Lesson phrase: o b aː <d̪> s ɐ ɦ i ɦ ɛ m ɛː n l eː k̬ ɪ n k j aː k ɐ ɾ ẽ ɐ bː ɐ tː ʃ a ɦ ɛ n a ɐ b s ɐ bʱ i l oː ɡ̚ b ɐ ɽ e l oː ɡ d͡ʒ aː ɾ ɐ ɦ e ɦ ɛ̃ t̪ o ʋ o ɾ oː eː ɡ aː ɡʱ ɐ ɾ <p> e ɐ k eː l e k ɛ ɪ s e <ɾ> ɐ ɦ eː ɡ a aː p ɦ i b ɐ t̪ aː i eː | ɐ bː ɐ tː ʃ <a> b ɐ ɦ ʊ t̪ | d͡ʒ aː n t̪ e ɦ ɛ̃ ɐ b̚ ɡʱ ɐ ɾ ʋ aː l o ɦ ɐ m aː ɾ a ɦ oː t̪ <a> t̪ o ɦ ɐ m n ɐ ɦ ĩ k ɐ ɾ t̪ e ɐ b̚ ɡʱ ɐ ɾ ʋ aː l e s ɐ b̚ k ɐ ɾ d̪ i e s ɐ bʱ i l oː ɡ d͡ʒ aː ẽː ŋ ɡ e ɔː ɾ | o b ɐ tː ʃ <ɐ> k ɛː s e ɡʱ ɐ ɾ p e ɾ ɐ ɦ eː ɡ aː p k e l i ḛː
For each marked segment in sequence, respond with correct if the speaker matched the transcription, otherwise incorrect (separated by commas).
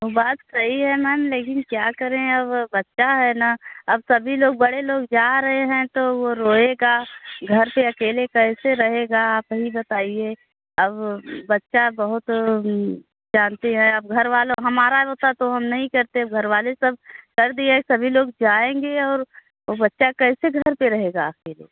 incorrect, correct, correct, correct, correct, incorrect